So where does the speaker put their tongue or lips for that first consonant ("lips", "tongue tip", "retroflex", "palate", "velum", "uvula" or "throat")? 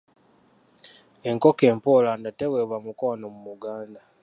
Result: velum